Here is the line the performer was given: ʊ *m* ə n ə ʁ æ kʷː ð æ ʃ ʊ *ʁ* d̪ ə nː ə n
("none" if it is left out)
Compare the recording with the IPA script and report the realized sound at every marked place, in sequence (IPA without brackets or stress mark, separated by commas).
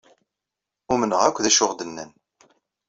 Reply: m, ʁ